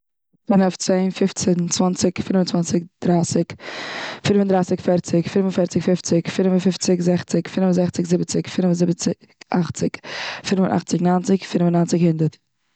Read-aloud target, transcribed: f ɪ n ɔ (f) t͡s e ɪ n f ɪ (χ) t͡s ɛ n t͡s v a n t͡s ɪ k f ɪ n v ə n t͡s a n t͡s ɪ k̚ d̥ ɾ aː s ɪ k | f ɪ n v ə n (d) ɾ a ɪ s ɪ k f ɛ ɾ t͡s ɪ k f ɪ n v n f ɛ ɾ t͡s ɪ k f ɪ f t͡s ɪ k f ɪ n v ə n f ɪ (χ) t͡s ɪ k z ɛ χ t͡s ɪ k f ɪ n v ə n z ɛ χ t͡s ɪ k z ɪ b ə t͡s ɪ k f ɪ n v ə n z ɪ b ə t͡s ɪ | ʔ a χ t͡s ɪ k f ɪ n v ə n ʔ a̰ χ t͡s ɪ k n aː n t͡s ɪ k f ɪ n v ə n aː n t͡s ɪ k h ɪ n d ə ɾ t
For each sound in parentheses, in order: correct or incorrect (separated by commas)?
correct, incorrect, correct, incorrect